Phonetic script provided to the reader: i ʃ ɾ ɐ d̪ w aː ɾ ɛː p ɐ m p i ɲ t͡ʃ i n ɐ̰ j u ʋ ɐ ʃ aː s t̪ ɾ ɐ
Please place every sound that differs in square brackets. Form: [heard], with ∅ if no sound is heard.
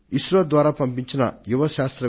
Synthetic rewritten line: i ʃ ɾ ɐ d̪ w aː ɾ [aː] p ɐ m p i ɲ t͡ʃ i n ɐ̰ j u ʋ ɐ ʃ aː s t̪ ɾ ɐ

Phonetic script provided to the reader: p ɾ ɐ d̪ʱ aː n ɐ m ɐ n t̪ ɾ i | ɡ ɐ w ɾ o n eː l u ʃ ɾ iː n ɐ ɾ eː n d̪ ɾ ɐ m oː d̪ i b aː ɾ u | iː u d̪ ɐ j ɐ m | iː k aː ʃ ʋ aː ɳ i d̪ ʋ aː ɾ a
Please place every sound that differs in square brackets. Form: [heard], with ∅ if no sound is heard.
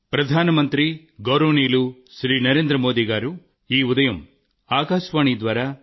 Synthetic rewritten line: p ɾ ɐ d̪ʱ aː n ɐ m ɐ n t̪ ɾ i | ɡ ɐ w ɾ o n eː l u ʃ ɾ iː n ɐ ɾ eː n d̪ ɾ ɐ m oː d̪ i [ɡ] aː ɾ u | iː u d̪ ɐ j ɐ m | [aː] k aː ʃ ʋ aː ɳ i d̪ ʋ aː ɾ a

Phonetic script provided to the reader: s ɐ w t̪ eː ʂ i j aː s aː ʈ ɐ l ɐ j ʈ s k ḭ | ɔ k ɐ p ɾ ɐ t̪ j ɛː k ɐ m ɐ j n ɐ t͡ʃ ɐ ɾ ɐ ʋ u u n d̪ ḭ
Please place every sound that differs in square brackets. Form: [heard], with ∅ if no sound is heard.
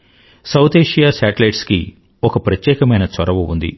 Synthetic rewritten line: s ɐ w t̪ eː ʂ i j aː s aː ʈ ɐ l ɐ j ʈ s k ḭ | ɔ k ɐ p ɾ ɐ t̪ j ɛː k ɐ m ɐ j n ɐ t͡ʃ ɐ ɾ ɐ ʋ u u n d̪ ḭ

